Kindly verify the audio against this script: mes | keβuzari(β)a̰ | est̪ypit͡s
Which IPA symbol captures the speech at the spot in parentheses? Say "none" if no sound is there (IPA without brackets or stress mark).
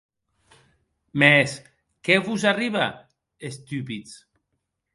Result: β